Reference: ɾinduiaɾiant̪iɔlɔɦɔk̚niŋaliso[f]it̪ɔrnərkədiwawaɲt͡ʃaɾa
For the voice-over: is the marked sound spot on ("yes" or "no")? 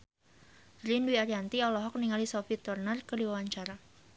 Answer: yes